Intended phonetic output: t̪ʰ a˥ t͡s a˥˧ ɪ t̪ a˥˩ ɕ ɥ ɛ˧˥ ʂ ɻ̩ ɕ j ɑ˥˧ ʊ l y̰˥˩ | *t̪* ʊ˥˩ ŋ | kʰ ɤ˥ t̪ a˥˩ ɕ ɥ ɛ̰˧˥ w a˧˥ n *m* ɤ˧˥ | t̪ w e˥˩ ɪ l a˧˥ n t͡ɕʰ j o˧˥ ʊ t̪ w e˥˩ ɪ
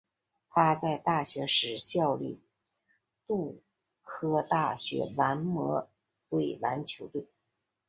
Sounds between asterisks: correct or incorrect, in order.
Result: correct, correct

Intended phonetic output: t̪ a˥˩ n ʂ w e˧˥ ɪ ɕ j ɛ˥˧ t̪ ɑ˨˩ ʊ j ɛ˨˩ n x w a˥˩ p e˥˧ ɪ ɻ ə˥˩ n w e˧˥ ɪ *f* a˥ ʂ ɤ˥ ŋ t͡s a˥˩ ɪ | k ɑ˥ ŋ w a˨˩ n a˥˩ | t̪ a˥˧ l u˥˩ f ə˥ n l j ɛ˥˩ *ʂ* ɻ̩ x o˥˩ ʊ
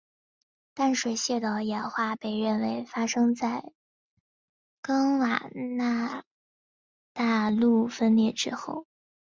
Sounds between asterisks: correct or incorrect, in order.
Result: correct, incorrect: ʈ͡ʂ

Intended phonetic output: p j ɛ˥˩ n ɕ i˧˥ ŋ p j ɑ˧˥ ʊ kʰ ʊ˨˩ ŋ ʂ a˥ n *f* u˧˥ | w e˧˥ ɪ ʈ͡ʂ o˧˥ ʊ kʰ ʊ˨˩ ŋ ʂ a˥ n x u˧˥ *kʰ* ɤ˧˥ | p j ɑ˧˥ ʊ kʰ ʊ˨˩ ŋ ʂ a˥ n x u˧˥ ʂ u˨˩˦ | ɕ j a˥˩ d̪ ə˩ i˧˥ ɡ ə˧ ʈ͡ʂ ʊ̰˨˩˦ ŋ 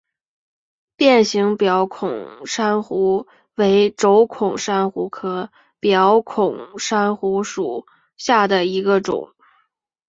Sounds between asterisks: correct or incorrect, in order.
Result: incorrect: x, correct

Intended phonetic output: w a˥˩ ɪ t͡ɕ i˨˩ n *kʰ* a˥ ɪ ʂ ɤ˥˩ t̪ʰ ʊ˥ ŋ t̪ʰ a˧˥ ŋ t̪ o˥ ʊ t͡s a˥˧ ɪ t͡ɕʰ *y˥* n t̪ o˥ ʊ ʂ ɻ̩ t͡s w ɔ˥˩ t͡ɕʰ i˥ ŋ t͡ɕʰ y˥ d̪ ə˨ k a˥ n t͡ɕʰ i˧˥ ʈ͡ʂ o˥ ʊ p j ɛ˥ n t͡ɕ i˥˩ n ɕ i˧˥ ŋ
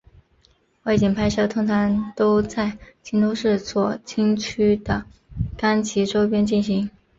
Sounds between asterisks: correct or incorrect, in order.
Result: incorrect: pʰ, incorrect: i˥

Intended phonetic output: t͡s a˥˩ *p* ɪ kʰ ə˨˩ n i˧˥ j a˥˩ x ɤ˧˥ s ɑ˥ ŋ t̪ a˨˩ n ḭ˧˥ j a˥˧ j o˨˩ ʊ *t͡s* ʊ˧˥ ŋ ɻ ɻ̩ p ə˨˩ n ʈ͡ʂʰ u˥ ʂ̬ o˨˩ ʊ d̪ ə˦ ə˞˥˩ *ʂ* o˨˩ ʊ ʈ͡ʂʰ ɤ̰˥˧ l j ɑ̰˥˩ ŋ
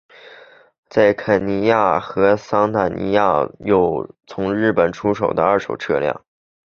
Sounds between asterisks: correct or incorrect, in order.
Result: incorrect: none, incorrect: t͡sʰ, correct

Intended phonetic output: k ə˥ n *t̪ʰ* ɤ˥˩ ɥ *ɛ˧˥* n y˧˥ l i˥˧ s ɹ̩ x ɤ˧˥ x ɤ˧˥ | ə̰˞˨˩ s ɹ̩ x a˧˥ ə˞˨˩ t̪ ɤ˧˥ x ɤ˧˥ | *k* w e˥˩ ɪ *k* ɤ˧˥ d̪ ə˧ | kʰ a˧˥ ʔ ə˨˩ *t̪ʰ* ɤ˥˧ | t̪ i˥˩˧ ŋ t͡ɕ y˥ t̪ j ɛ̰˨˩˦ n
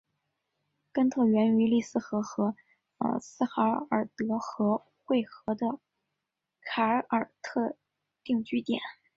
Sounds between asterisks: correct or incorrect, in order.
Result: correct, correct, incorrect: x, incorrect: x, correct

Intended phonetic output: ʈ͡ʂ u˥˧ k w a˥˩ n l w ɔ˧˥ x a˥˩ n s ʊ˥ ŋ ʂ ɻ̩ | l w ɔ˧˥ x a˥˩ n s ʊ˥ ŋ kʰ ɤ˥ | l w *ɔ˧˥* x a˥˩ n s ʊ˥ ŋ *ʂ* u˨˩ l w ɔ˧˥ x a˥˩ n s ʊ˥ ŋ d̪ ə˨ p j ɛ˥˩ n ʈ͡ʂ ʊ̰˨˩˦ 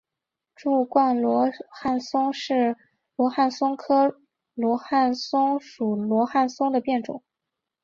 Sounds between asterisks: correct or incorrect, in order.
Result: correct, correct

